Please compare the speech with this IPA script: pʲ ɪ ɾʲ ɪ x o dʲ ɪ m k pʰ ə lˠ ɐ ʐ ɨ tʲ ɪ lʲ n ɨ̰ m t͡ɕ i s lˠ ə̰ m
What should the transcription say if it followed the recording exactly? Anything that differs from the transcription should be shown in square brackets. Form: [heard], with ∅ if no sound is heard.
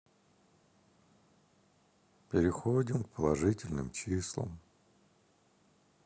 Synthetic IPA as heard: pʲ ɪ ɾʲ ɪ x o dʲ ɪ m k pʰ ə lˠ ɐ ʐ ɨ tʲ ɪ lʲ n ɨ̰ m t͡ɕ i s lˠ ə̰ m